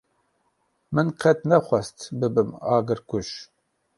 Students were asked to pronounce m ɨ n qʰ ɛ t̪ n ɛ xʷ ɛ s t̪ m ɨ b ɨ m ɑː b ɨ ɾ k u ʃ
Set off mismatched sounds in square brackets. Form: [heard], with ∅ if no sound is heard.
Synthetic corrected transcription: m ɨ n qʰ ɛ t̪ n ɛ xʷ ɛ s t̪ [b] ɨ b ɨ m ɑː [ɡ] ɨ ɾ k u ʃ